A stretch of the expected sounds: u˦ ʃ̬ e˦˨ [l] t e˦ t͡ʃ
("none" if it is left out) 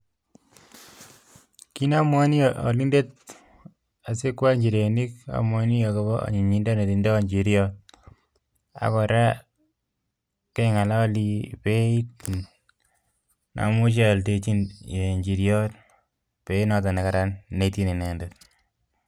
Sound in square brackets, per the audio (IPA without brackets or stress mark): l